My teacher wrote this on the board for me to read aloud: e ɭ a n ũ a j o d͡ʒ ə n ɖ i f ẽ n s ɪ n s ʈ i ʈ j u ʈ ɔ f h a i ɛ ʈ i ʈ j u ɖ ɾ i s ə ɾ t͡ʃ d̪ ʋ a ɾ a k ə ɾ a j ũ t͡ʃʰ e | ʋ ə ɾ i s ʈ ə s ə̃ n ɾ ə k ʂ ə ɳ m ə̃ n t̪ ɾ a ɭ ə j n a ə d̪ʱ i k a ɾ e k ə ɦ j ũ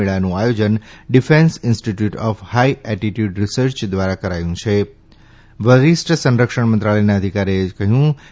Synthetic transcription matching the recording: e ɭ a n ũ a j o d͡ʒ ə n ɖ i f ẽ n s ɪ n s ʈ i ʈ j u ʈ ɔ f h a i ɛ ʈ i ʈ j u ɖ ɾ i s ə ɾ t͡ʃ d̪ ʋ a ɾ a k ə ɾ a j ũ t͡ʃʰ e | ʋ ə ɾ i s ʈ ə s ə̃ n ɾ ə k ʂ ə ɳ m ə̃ n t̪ ɾ a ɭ ə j n a ə d̪ʱ i k a ɾ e k ə ɦ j ũ